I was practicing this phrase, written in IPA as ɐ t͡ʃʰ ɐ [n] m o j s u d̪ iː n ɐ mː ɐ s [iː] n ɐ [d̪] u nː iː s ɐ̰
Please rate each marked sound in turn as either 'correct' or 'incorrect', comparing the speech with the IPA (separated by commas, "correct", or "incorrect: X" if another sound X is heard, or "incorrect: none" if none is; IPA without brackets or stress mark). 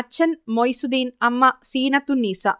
correct, correct, incorrect: t̪